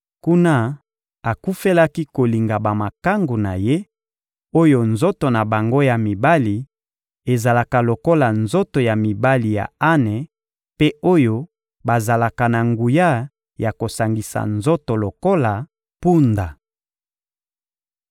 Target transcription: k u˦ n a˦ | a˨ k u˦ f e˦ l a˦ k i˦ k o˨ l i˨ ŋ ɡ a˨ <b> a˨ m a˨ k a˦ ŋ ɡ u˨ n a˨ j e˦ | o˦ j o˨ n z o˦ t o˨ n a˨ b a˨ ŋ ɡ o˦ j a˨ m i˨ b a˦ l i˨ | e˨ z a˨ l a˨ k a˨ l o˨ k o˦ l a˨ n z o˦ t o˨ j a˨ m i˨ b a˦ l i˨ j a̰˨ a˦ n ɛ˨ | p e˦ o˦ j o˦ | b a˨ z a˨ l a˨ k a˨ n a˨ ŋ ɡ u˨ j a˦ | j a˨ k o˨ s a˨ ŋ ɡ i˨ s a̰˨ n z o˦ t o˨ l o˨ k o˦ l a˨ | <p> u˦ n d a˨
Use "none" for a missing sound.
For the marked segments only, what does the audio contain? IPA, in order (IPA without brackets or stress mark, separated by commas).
b, p